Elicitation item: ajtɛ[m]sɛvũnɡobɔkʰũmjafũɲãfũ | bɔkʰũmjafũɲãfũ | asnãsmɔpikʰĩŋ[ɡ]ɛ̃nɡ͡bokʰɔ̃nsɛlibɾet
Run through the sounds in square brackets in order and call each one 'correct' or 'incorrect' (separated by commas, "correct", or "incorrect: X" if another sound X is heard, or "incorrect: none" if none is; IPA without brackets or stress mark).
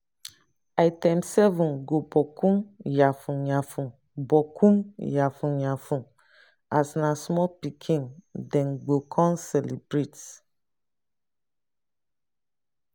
correct, incorrect: d